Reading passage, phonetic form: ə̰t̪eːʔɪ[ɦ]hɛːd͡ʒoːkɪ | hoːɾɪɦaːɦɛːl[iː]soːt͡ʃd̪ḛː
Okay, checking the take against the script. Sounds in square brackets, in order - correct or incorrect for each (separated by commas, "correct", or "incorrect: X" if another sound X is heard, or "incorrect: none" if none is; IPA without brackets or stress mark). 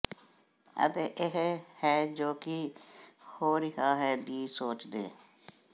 correct, correct